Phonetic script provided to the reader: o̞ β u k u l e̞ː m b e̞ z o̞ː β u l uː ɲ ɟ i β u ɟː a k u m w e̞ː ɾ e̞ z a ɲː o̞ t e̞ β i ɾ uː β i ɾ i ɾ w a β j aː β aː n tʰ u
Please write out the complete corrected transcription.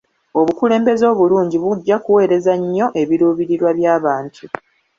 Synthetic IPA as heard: o̞ β u k u l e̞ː m b e̞ z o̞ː β u l uː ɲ ɟ i β u ɟː a k u w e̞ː ɾ e̞ z a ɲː o̞ ʔ e̞ β i ɾ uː β i ɾ i ɾ w a β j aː β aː n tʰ u